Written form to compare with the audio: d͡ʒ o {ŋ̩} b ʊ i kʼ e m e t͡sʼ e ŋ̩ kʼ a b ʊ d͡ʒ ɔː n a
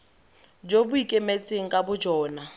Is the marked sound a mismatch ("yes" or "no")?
yes